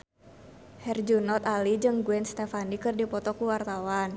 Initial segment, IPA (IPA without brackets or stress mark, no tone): h